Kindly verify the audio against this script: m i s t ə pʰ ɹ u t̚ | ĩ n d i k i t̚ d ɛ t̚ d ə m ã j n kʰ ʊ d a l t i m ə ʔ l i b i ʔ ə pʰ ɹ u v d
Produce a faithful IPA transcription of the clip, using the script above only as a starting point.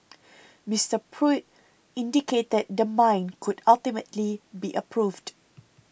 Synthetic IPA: m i s t ə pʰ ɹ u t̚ | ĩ n d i k e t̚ d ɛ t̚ d ə m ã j n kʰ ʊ d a l t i m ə t l i b i ʔ ə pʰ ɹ u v d